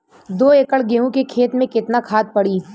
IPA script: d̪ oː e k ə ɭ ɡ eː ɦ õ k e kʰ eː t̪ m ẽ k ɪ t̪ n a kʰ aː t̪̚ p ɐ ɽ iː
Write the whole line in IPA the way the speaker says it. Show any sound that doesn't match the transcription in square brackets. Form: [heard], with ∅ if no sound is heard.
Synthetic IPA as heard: d̪ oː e k ə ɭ ɡ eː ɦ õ k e kʰ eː t̪ m ẽ k ɪ t̪ n a kʰ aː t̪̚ p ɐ ɽ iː